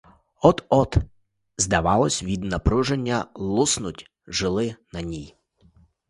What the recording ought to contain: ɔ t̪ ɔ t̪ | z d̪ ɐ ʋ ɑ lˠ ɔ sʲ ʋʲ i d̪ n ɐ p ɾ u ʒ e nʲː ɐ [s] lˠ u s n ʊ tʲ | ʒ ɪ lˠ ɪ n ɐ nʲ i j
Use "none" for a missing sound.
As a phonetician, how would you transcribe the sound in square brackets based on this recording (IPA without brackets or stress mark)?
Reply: none